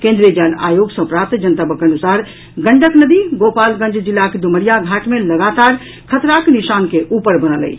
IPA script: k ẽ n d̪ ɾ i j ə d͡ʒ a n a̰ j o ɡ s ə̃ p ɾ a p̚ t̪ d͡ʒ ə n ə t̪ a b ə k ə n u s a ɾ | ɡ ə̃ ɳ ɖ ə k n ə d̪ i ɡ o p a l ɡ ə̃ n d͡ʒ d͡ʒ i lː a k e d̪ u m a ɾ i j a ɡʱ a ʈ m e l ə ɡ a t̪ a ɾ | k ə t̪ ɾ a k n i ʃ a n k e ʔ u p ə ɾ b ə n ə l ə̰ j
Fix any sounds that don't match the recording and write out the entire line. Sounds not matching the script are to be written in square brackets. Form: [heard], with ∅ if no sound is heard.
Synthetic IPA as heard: k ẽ n d̪ ɾ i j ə d͡ʒ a n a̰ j o ɡ s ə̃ p ɾ a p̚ t̪ d͡ʒ ə n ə t̪ a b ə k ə n u s a ɾ | ɡ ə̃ ɳ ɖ ə k n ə d̪ i ɡ o p a l ɡ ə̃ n d͡ʒ d͡ʒ i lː a k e d̪ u m [ə] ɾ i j a ɡʱ a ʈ m e l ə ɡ a t̪ a ɾ | [kʰ] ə t̪ ɾ a k n i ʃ a n k e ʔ u p ə ɾ b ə n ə l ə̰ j